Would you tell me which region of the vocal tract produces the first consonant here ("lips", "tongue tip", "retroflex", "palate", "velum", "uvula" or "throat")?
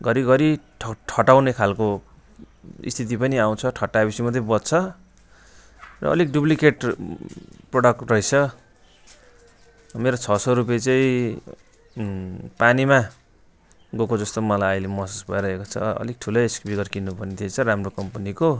velum